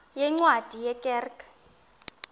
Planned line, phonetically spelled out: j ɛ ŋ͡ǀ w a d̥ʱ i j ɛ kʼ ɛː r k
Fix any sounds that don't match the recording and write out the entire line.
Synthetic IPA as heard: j ɛ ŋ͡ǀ w a d̥ʱ i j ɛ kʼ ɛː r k

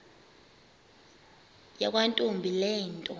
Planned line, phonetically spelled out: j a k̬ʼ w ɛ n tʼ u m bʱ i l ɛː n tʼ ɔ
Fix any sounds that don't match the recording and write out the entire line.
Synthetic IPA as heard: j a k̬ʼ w a n tʼ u m bʱ i l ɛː n tʼ ɔ

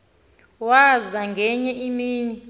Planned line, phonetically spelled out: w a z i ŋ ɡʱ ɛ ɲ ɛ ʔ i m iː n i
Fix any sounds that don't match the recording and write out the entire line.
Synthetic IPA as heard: w a z a ŋ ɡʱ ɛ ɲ ɛ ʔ i m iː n i

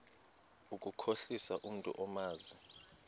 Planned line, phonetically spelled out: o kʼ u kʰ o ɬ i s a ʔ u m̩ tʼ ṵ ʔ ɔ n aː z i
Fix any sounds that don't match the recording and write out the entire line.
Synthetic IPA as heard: u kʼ u kʰ o ɬ i s a ʔ u m̩ tʼ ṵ ʔ ɔ m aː z i

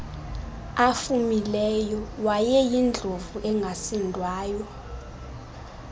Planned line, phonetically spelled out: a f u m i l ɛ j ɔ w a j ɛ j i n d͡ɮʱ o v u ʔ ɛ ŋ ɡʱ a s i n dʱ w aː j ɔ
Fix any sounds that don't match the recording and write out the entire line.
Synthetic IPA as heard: a f u m i l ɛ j ɔ w a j ɛ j i n d͡ɮʱ o v u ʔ ɛ ŋ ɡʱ a s i n dʱ w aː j ɔ

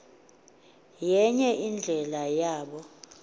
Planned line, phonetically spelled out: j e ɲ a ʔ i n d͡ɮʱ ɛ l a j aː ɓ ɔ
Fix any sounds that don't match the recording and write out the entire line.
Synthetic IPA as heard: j ɛ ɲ ɛ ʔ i n d͡ɮʱ ɛ l a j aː ɓ ɔ

